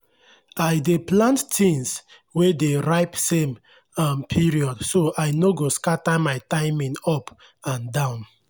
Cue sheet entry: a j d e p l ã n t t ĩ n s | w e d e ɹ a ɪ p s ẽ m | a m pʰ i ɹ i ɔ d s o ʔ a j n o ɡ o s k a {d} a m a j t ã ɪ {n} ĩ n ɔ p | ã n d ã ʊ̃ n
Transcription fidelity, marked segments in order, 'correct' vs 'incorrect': incorrect, incorrect

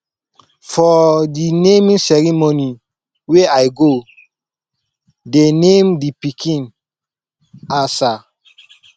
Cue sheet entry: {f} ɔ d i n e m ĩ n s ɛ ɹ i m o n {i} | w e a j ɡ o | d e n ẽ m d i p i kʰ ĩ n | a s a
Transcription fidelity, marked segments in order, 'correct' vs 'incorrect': correct, correct

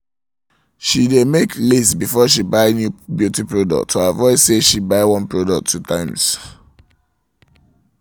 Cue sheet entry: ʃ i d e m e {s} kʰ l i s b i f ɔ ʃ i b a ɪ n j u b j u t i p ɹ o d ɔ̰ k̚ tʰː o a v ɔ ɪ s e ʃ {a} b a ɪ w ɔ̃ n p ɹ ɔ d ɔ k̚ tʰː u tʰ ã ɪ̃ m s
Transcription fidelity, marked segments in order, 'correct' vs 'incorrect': incorrect, incorrect

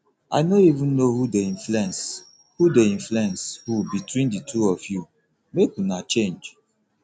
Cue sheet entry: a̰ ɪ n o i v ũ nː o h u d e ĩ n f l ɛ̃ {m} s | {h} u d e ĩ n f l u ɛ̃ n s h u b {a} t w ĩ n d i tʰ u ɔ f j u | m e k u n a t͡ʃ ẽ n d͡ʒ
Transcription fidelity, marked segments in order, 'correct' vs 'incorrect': incorrect, correct, incorrect

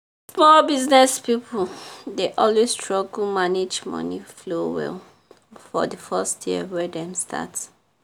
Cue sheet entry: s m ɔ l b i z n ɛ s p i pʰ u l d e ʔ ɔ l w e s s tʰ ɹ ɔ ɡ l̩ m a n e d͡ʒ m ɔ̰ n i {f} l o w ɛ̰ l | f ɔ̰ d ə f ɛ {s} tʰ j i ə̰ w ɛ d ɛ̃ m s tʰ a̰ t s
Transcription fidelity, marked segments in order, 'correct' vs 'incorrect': correct, correct

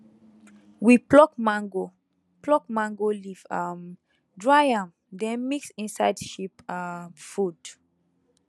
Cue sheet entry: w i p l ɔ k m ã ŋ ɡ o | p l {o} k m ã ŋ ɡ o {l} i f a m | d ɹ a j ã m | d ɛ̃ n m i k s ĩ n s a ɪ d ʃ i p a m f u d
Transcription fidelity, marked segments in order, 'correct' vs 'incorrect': incorrect, correct

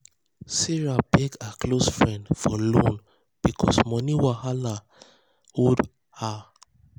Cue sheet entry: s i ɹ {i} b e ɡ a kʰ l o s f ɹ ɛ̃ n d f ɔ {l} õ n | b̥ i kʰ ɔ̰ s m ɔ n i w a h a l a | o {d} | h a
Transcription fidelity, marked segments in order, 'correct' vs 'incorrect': incorrect, correct, correct

